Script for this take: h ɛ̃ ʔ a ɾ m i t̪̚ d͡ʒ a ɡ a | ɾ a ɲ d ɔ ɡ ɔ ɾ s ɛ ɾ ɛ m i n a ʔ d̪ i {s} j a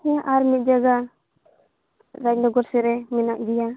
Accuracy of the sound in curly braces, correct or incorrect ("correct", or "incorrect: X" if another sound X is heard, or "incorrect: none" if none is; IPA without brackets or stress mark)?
incorrect: none